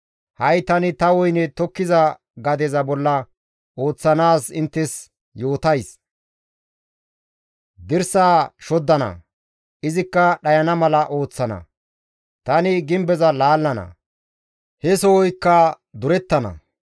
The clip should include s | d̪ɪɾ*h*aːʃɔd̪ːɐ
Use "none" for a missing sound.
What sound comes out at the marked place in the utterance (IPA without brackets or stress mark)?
s